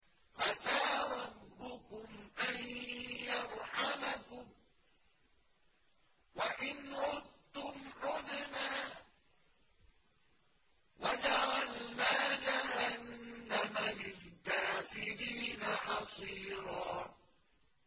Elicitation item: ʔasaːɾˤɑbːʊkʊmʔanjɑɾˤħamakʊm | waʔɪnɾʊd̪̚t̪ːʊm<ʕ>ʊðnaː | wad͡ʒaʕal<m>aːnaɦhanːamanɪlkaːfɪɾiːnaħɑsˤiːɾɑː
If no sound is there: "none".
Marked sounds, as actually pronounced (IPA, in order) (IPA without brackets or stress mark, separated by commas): ʕ, n